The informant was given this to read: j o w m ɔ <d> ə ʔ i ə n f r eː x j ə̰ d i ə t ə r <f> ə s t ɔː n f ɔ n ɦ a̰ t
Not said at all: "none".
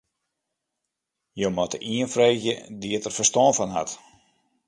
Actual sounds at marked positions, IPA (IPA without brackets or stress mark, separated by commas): t, f